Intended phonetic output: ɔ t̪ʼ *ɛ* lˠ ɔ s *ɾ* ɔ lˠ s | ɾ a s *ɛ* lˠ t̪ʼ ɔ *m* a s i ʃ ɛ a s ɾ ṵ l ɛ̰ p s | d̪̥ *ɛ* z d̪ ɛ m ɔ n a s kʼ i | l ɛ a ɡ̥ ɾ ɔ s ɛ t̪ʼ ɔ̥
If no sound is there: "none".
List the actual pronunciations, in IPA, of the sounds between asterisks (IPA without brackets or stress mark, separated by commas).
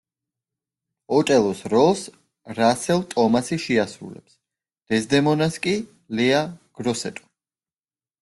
ɛ, ɾ, ɛ, m, ɛ